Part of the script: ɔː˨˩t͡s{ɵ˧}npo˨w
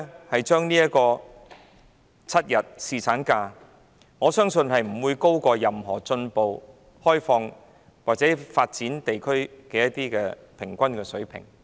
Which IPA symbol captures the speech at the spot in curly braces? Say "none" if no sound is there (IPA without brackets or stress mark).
ɵ˧